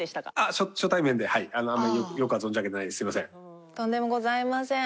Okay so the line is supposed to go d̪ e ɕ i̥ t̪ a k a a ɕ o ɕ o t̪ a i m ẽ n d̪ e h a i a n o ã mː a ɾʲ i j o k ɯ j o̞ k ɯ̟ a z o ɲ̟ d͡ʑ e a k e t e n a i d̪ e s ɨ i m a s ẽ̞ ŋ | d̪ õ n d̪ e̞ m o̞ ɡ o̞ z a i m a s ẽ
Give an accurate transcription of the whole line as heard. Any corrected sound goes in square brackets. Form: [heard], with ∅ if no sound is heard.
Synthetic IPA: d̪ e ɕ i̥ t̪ a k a a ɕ o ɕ o t̪ a i m ẽ n d̪ e h a i a n o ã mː a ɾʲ i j o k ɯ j o̞ k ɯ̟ a z o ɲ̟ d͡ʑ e a k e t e n a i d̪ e s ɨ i m a s ẽ̞ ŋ | [t̪] õ n d̪ e̞ m o̞ ɡ o̞ z a i m a s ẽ